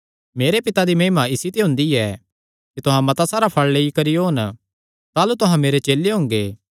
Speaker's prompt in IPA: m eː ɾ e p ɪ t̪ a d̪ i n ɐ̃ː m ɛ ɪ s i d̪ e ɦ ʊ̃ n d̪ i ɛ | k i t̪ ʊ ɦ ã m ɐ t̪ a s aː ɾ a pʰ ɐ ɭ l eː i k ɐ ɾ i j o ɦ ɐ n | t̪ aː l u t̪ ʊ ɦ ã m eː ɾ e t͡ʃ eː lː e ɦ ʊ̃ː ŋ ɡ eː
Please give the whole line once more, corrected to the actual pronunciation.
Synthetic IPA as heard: m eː ɾ e p ɪ t̪ a d̪ i m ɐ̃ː m a ɪ s i t̪ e ɦ ʊ̃ n d̪ i ɛ | k i t̪ ʊ ɦ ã m ɐ t̪ a s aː ɾ a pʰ ɐ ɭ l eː i k ɐ ɾ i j o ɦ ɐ n | t̪ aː l u t̪ ʊ ɦ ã m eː ɾ e t͡ʃ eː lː e ɦ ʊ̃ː ŋ ɡ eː